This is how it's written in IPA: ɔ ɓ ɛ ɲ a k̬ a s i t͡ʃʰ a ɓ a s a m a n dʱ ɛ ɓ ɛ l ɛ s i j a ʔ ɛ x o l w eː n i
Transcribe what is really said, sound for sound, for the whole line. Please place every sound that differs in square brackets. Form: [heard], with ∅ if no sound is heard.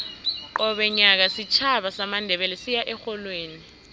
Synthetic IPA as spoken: ɔ ɓ ɛ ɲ a k̬ a s i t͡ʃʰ a ɓ a s a m a n dʱ ɛ ɓ ɛ l ɛ s i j a ʔ ɛ x [ɔ] l w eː n i